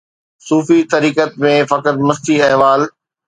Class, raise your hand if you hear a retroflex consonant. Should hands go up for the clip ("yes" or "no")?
no